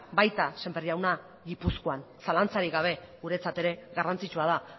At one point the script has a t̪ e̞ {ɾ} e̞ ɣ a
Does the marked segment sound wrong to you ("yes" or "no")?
no